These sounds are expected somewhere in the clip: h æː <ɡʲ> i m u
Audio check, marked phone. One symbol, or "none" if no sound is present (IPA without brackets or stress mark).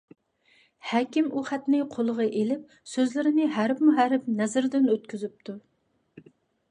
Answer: kʲ